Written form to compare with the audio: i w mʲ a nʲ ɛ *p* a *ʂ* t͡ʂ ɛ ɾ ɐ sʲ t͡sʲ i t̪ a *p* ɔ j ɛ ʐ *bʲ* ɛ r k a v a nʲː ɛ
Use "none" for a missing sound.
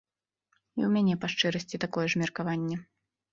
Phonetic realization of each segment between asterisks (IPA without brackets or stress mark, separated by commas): p, ʂ, k, mʲ